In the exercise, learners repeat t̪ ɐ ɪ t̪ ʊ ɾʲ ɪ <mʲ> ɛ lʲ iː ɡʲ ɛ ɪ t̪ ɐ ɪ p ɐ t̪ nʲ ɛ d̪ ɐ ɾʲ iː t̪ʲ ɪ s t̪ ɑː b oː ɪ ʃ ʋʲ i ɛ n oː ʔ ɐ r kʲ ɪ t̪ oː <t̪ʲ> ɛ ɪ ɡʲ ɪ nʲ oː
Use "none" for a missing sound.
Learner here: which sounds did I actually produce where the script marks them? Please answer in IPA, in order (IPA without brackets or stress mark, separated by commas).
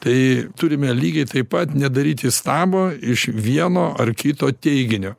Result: mʲ, t̪ʲ